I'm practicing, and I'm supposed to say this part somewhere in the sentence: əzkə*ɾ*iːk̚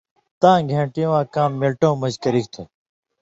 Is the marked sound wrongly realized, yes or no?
no